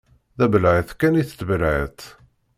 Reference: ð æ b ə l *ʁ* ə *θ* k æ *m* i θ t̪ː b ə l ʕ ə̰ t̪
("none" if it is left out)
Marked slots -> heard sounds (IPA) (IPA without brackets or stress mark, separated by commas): ʕ, θ, n